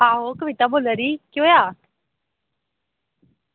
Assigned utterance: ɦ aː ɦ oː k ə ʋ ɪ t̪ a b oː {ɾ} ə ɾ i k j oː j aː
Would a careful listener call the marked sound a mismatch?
yes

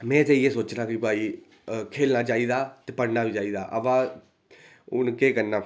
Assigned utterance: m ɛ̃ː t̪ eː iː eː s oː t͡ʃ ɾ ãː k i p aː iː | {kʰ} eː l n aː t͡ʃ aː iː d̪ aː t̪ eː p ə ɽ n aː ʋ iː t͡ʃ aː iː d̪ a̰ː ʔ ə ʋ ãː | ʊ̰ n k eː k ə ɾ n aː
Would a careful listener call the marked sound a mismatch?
no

